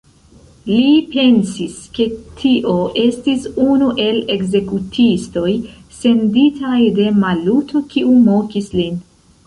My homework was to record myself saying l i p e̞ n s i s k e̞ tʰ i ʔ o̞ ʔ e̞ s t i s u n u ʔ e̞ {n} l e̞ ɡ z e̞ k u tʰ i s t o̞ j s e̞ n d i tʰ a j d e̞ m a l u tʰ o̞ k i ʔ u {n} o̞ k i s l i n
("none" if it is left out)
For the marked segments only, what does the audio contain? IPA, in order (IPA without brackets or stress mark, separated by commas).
none, m